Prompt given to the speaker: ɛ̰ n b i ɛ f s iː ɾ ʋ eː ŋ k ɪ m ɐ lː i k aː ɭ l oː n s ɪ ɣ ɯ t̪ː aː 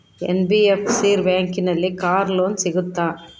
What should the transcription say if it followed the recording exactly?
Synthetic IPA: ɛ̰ n b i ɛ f s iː ɾ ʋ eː ŋ k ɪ n ɐ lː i k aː ɾ l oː n s ɪ ɣ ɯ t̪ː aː

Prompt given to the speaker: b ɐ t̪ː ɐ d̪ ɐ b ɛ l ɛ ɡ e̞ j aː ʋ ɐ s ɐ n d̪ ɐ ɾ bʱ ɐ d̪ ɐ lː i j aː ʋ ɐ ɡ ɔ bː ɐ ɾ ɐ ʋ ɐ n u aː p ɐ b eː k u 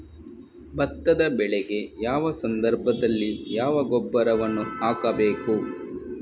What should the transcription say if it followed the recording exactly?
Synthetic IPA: b ɐ t̪ː ɐ d̪ ɐ b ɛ ɭ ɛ ɡ e̞ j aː ʋ ɐ s ɐ n d̪ ɐ ɾ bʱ ɐ d̪ ɐ lː i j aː ʋ ɐ ɡ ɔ bː ɐ ɾ ɐ ʋ ɐ nː u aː k ɐ b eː k u

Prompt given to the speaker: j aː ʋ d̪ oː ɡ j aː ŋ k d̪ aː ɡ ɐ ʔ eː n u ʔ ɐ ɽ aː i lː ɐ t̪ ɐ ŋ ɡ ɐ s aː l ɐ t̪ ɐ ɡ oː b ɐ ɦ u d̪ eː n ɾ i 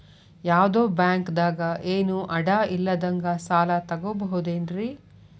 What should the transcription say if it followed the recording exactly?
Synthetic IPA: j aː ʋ d̪ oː b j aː ŋ k d̪ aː ɡ ɐ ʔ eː n u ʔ ɐ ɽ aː i lː ɐ d̪ ɐ ŋ ɡ ɐ s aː l ɐ t̪ ɐ ɡ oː b ɐ ɦ u d̪ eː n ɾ i

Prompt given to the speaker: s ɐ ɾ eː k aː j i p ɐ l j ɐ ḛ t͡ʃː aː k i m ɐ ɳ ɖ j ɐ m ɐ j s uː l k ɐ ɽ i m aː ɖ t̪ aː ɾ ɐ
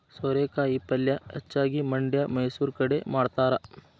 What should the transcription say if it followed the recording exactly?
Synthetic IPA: s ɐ ɾ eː k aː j i p ɐ l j ɐ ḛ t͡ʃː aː ɡ i m ɐ ɳ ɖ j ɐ m ɐ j s uː ɾ k ɐ ɽ e m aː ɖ t̪ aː ɾ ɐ

